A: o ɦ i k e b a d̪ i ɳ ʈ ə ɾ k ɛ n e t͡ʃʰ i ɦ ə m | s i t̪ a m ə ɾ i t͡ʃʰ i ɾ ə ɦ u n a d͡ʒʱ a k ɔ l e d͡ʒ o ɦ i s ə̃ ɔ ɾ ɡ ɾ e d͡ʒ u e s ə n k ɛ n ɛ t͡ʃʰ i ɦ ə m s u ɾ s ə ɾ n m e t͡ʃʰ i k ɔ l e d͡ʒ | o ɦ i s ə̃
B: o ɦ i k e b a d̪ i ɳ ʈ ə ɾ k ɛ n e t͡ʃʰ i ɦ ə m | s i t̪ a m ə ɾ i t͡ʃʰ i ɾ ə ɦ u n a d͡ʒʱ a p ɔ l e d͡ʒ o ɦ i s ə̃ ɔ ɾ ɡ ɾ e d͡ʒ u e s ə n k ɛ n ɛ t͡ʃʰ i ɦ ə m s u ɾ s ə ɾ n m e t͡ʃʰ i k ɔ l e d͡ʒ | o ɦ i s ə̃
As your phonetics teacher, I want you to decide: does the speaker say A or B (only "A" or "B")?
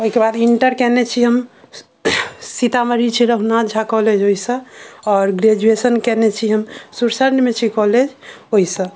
A